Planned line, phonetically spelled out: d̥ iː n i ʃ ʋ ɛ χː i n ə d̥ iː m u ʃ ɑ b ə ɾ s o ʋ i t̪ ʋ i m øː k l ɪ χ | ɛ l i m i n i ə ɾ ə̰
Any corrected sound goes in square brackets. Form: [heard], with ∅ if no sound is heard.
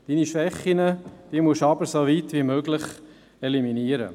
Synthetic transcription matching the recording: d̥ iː n i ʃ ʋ ɛ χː i n ə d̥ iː m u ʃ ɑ b ə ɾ s o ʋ i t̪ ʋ i m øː [ɡ] l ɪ χ | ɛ l i m i n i ə ɾ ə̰